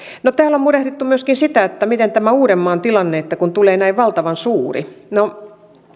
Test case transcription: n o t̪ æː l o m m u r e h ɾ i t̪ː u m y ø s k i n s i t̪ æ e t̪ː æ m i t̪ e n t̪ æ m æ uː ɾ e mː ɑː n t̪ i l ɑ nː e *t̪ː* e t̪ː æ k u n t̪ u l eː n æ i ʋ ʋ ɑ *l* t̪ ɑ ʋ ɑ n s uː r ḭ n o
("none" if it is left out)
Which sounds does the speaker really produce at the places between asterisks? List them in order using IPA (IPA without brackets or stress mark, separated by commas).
none, l